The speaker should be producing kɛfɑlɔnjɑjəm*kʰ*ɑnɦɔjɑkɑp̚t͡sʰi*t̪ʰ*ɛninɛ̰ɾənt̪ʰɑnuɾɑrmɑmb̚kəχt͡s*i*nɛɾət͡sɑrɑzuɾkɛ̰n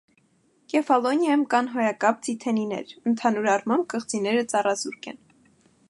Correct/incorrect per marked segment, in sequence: incorrect, correct, correct

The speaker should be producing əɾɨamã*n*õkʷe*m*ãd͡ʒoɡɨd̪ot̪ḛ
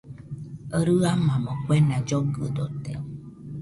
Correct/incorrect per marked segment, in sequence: incorrect, incorrect

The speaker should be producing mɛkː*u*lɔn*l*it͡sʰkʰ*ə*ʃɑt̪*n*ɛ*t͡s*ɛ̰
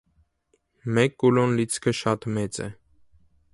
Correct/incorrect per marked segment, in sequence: correct, correct, correct, incorrect, correct

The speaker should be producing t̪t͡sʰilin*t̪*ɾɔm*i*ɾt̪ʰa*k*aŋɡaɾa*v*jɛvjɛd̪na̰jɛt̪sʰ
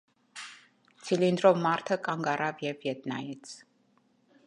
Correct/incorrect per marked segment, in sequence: incorrect, incorrect, incorrect, correct

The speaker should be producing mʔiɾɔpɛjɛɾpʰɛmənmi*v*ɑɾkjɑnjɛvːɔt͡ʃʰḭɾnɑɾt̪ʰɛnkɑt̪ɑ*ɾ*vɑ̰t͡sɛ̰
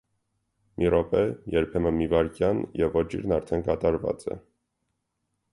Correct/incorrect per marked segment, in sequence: correct, correct

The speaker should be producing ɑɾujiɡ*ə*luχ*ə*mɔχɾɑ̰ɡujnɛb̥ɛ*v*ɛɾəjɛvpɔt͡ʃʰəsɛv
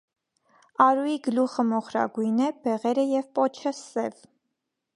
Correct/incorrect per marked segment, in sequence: correct, correct, incorrect

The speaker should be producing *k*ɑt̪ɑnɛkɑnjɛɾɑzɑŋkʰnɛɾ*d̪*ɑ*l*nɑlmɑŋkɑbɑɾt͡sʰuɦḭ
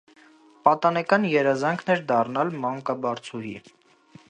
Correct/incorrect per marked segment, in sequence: incorrect, correct, incorrect

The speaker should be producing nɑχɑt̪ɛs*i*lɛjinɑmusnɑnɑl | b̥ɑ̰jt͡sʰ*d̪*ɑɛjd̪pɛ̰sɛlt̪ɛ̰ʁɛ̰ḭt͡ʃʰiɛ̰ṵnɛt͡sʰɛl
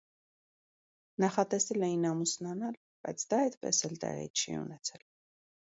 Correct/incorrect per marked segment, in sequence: incorrect, correct

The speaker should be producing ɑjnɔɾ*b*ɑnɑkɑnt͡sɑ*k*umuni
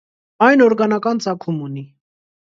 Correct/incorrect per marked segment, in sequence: incorrect, incorrect

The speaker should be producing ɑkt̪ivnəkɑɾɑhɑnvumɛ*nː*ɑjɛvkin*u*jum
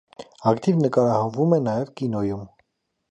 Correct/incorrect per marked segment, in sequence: incorrect, incorrect

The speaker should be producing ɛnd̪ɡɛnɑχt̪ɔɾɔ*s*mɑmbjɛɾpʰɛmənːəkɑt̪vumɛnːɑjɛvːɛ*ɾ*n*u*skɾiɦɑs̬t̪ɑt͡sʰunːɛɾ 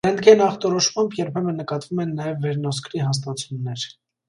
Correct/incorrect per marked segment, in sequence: incorrect, correct, incorrect

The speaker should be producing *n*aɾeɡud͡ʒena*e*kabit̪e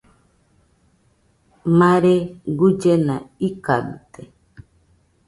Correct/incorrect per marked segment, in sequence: incorrect, incorrect

